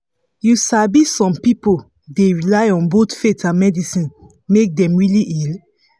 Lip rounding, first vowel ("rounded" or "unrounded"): rounded